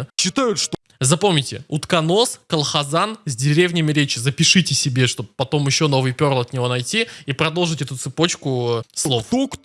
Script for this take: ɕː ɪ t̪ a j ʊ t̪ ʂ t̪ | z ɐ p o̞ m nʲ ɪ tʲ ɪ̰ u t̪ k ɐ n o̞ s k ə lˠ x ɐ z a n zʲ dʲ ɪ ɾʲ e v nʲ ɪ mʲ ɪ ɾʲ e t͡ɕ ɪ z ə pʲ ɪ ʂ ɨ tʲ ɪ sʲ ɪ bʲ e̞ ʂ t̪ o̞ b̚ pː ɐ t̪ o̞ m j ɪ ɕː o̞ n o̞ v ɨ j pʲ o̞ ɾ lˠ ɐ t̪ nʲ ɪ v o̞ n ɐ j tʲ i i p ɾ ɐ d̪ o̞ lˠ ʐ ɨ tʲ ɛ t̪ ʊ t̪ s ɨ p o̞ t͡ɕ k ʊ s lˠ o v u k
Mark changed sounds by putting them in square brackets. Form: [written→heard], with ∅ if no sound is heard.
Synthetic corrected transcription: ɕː ɪ t̪ a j ʊ t̪ ʂ t̪ | z ɐ p o̞ m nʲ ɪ tʲ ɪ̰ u t̪ k ɐ n o̞ s k ə lˠ x ɐ z a n zʲ dʲ ɪ ɾʲ e v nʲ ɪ mʲ ɪ ɾʲ e t͡ɕ ɪ z ə pʲ ɪ ʂ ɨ tʲ ɪ sʲ ɪ bʲ e̞ ʂ t̪ o̞ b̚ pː ɐ t̪ o̞ m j ɪ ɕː o̞ n o̞ v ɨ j pʲ o̞ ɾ lˠ ɐ t̪ nʲ ɪ v o̞ n ɐ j tʲ i i p ɾ ɐ d̪ o̞ lˠ ʐ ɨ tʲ ɛ t̪ ʊ t̪ s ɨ p o̞ t͡ɕ k ʊ s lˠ o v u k